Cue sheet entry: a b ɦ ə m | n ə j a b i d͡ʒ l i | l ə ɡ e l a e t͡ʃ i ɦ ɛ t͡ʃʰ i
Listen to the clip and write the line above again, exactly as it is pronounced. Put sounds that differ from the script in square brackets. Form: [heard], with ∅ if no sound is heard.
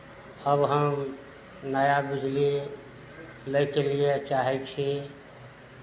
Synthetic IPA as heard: [ə] b ɦ ə m | n ə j a b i d͡ʒ l i | l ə [k] e l [i] e t͡ʃ [a] ɦ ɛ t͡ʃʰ i